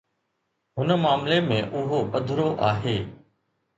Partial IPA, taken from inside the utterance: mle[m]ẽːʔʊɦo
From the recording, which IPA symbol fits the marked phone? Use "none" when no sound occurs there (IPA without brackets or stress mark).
m